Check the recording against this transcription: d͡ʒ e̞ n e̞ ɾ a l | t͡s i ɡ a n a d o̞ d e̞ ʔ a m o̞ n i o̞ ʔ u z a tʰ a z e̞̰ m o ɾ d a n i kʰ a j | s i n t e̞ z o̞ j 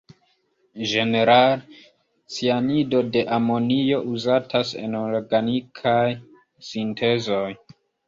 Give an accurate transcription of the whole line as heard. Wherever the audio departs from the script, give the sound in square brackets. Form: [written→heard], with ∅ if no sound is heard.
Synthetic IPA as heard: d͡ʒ e̞ n e̞ ɾ a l | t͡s i [ɡ→∅] a n [a→i] d o̞ d e̞ ʔ a m o̞ n i o̞ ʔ u z a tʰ a [z→s] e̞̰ [m→n] o ɾ [d→ɡ] a n i kʰ a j | s i n t e̞ z o̞ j